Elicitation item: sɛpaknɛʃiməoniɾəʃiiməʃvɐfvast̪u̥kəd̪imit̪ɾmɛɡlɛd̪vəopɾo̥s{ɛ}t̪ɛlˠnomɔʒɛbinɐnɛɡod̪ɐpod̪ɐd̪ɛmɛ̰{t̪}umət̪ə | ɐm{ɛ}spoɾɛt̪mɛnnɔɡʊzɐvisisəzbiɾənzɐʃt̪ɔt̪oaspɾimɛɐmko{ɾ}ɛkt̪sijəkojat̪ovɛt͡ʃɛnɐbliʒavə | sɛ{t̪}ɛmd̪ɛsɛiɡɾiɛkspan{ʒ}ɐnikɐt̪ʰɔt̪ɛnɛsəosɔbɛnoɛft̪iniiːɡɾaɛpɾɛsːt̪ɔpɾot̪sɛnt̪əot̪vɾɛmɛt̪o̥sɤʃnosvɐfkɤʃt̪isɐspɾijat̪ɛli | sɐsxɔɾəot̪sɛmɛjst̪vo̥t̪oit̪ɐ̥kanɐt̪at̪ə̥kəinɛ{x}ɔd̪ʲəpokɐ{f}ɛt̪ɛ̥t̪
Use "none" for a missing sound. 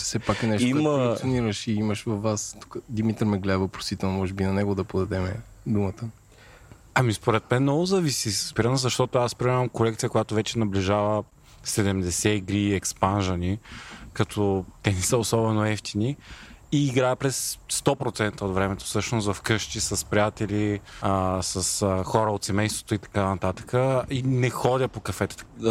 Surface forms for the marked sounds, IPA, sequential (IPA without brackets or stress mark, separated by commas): i, d̪, i, l, d̪, ʒ, x, f